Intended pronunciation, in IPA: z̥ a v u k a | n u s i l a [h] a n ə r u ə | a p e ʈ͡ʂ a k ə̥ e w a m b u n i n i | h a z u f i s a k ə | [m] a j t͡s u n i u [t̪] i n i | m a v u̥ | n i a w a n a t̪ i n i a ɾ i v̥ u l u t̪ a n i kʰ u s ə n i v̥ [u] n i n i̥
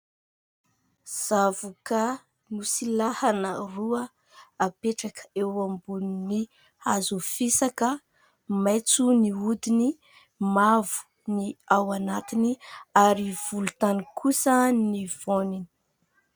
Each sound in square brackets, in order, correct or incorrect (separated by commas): correct, correct, incorrect, incorrect